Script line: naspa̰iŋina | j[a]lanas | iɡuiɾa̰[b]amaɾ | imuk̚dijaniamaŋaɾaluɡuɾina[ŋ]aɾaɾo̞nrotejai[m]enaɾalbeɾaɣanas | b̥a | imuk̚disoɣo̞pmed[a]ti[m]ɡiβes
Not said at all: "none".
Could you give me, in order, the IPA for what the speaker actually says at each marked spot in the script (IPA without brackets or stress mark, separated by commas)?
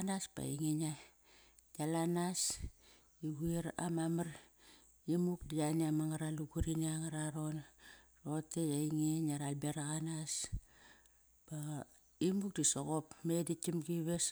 a, m, ŋ, ŋ, i, m